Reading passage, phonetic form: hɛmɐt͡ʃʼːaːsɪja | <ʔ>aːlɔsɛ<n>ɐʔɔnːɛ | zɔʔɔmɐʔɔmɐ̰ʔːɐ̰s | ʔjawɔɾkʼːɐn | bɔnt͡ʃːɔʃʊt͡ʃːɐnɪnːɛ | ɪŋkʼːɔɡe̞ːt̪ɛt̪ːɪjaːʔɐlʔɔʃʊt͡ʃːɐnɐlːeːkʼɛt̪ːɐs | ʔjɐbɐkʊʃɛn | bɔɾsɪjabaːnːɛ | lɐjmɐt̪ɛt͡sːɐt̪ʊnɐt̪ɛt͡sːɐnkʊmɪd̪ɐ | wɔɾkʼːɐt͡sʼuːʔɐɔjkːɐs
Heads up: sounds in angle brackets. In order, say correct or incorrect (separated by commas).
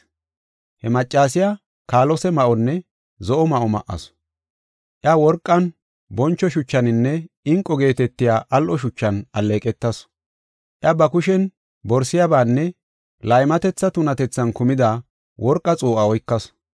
incorrect, incorrect